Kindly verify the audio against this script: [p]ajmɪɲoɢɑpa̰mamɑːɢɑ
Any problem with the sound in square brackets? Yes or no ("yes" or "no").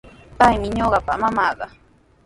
no